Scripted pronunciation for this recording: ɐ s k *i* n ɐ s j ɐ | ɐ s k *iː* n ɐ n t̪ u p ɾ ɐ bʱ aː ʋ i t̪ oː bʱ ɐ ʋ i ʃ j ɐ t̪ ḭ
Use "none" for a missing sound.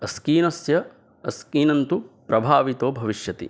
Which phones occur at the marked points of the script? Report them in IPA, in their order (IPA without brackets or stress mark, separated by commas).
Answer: iː, iː